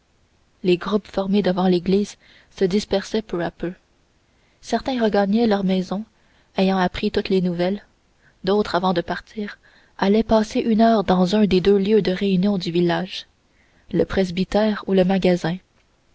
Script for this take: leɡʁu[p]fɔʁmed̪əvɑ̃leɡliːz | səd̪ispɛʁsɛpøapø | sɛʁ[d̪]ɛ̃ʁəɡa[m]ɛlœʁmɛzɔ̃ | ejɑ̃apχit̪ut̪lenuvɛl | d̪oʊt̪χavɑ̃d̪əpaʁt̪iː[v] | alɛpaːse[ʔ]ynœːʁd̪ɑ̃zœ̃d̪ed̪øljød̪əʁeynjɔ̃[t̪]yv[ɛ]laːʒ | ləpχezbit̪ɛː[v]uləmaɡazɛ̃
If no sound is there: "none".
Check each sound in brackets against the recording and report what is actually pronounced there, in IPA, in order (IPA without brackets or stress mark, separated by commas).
p, t̪, ɲ, ʁ, ʔ, d̪, i, ʁ